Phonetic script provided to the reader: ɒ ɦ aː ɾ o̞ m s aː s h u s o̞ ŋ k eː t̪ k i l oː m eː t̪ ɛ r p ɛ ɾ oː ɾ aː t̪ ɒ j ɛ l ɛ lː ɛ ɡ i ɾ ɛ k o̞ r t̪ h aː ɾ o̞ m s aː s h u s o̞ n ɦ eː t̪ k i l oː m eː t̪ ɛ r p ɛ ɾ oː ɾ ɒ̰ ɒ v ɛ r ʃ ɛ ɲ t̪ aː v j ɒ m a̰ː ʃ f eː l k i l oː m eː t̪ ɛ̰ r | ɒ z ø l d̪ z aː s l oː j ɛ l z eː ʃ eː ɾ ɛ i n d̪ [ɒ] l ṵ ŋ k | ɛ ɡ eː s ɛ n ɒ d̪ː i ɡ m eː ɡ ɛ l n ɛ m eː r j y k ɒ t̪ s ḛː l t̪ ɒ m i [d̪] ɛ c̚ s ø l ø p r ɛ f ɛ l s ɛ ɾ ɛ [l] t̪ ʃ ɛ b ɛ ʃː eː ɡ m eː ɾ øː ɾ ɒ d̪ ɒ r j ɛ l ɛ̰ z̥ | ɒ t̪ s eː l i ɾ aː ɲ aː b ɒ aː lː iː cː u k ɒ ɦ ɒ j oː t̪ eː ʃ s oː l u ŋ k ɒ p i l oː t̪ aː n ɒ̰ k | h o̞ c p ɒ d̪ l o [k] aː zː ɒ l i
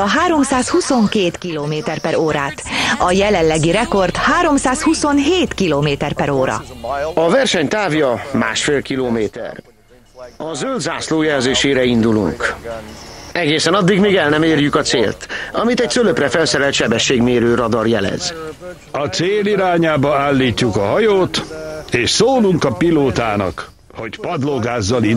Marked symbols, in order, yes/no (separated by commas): no, no, yes, no